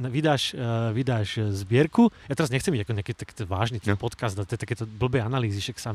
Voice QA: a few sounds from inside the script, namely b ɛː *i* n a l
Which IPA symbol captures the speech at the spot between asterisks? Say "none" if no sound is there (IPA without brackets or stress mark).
a